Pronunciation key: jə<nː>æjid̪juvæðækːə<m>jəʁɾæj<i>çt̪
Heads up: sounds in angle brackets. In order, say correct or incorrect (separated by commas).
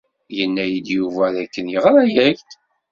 correct, incorrect, incorrect